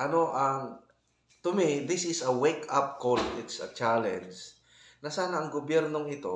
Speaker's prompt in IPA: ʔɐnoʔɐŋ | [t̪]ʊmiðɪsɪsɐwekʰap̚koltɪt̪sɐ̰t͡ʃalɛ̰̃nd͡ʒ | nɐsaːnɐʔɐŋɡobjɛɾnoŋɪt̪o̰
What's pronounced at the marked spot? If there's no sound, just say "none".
t̪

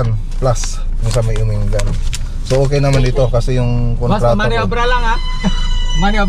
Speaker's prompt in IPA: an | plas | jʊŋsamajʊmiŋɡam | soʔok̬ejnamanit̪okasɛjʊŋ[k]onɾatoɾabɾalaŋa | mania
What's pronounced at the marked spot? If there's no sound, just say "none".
k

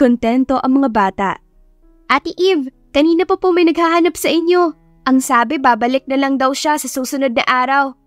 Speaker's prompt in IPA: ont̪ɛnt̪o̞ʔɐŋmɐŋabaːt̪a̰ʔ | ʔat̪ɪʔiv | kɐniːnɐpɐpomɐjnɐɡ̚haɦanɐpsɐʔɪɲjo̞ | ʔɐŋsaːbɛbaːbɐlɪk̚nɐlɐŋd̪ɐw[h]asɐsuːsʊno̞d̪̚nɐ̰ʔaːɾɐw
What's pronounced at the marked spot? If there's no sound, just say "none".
ʃ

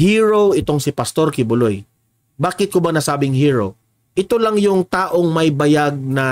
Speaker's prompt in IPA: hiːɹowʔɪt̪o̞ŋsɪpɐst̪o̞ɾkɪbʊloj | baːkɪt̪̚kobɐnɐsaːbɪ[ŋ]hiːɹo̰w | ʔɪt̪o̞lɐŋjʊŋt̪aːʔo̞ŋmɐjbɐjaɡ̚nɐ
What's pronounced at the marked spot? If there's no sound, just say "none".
ŋ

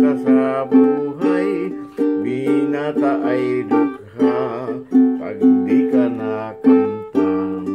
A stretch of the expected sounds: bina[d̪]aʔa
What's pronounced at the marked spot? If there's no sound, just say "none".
t̪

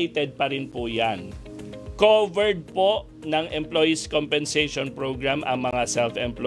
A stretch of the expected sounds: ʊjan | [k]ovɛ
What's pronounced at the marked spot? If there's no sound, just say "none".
k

